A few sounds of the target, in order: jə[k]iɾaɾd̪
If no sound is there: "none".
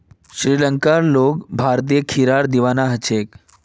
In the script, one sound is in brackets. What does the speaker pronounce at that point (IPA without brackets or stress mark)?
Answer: kʰ